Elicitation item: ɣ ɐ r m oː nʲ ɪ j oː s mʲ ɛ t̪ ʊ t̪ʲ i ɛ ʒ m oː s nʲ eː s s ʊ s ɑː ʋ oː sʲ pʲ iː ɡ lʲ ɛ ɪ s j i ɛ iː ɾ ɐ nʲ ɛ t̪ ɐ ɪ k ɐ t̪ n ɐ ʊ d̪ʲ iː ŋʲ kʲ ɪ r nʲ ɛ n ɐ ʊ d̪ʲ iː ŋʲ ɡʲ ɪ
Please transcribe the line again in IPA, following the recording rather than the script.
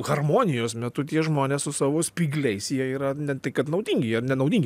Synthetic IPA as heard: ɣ ɐ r m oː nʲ ɪ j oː s mʲ ɛ t̪ ʊ t̪ʲ i ɛ ʒ m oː nʲ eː s s ʊ s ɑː ʋ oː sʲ pʲ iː ɡ lʲ ɛ ɪ s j i ɛ iː ɾ ɐ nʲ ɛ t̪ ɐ ɪ k ɐ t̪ n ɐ ʊ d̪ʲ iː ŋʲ ɡʲ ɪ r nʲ ɛ n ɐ ʊ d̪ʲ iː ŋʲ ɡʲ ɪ